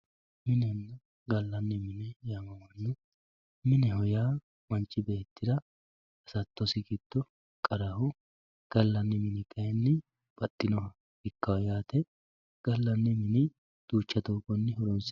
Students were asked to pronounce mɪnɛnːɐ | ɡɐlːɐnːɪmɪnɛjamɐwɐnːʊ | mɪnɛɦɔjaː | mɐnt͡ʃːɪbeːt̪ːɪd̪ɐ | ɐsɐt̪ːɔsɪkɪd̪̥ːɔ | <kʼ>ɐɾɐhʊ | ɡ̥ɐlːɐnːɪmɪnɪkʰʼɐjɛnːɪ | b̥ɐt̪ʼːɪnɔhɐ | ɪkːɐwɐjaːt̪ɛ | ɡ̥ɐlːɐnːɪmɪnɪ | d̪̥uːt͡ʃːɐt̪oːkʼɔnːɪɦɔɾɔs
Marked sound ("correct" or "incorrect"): correct